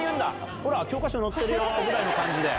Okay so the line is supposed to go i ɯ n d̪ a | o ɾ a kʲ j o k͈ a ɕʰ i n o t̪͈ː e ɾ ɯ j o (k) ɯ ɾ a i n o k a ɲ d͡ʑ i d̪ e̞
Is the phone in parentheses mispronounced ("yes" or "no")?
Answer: yes